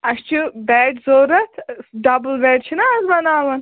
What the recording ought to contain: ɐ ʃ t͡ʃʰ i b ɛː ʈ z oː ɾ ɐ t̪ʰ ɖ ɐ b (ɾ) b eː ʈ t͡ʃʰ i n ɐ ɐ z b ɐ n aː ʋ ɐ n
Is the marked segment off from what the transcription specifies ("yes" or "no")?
yes